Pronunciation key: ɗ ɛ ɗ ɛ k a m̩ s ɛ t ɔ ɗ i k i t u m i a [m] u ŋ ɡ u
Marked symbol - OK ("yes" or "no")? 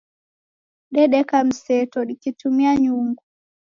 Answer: no